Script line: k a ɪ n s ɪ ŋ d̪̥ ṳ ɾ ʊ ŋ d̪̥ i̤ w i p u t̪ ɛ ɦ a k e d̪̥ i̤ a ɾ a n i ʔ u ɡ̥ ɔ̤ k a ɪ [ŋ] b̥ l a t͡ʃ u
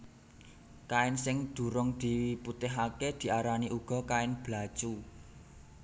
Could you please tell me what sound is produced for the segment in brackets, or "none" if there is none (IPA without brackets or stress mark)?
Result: n